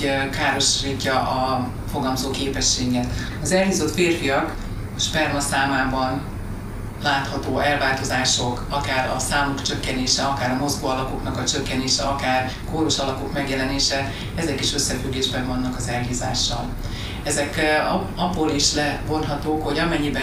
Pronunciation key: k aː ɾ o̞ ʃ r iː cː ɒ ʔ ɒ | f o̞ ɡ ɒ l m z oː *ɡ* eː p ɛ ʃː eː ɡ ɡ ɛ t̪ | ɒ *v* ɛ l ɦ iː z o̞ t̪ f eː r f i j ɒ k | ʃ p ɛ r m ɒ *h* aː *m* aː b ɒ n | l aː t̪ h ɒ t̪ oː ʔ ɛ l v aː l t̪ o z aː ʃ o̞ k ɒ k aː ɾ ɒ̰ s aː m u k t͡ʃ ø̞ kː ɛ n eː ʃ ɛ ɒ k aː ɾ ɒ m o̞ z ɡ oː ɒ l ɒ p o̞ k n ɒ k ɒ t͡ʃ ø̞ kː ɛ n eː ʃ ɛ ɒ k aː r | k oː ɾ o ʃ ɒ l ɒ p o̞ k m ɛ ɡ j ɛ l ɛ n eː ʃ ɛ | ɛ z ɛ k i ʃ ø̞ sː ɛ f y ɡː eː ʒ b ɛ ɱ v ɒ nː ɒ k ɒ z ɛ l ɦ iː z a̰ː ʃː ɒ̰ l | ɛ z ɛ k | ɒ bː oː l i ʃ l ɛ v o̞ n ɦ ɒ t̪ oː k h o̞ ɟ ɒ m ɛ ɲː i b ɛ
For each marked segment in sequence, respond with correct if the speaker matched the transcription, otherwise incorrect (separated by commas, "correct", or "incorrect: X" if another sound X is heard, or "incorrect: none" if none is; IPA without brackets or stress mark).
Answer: incorrect: k, incorrect: z, incorrect: s, correct